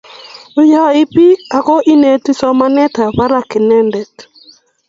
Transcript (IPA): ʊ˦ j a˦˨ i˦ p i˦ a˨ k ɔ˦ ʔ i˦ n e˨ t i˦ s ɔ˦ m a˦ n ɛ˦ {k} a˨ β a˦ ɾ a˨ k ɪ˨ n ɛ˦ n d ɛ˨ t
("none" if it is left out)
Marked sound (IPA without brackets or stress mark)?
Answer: t